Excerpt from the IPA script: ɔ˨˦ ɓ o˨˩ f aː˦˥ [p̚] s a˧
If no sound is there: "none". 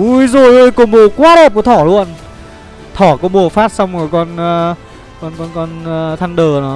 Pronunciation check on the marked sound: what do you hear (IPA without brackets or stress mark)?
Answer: t̚